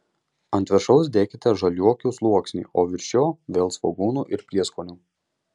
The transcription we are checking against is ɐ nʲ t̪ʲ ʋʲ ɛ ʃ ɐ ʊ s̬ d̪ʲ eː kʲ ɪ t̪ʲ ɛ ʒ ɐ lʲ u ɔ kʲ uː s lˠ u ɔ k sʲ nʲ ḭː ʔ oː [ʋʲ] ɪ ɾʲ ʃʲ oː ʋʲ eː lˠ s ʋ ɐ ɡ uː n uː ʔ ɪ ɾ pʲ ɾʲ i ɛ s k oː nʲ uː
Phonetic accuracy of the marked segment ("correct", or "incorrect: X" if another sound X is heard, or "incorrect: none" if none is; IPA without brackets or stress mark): correct